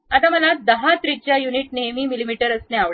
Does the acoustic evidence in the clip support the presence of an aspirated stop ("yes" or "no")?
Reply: no